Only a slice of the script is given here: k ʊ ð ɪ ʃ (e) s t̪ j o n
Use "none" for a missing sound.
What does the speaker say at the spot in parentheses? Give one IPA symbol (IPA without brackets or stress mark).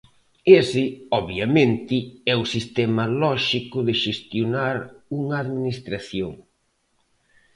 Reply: e